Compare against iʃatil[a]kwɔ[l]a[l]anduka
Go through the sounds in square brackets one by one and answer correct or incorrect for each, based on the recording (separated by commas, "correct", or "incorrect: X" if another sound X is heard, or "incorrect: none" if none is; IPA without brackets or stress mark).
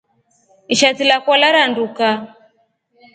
correct, correct, incorrect: ɾ